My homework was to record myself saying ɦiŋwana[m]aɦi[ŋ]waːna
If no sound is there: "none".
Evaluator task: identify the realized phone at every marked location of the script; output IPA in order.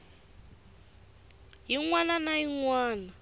n, ŋ

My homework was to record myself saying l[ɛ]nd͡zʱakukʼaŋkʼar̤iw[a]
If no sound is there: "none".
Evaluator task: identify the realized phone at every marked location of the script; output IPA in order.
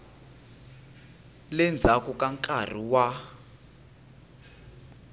ɛ, a

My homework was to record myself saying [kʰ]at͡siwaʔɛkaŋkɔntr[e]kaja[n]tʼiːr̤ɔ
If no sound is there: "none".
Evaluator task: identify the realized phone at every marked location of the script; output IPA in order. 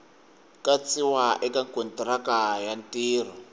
k, a, n

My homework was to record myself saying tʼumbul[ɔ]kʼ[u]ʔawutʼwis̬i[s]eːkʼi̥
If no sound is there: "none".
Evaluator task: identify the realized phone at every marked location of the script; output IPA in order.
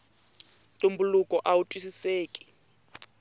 u, ɔ, s

